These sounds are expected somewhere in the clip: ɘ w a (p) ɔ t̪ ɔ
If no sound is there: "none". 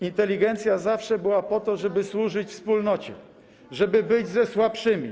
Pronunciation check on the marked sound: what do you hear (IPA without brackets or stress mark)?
p